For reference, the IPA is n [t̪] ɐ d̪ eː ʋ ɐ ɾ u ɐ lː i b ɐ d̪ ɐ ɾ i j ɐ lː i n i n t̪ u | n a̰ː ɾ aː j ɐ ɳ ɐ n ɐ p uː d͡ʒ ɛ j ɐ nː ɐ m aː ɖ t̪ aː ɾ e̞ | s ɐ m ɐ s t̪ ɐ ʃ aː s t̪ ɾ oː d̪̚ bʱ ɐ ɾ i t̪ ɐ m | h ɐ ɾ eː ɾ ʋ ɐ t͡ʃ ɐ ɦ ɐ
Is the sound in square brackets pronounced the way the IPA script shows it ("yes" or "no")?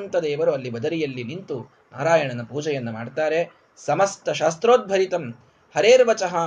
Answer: yes